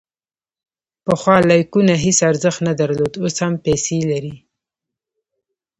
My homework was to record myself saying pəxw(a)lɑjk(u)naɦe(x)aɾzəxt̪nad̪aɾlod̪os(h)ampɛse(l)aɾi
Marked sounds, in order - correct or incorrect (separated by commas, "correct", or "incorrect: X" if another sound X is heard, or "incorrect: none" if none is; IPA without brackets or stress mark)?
incorrect: ɑ, correct, incorrect: s, correct, correct